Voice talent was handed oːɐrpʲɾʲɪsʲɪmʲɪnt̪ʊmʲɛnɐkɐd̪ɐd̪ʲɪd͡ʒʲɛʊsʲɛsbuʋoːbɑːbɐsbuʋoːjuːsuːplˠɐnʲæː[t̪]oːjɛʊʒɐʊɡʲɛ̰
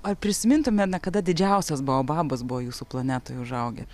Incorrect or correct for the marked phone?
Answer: correct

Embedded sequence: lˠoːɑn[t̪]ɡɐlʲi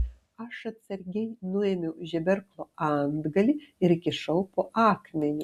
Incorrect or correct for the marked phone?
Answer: incorrect: d̪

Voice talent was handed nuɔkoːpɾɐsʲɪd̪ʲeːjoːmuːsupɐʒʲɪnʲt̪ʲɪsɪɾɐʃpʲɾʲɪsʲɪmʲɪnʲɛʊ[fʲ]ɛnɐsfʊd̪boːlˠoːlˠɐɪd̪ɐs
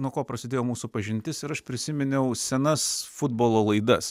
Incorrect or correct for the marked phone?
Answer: incorrect: sʲ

